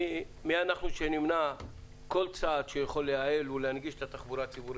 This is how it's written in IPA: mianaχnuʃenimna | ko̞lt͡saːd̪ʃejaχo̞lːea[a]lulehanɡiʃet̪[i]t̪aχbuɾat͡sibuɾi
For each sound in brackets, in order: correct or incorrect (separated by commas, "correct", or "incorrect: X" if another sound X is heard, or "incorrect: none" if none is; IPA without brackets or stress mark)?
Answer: incorrect: e, incorrect: a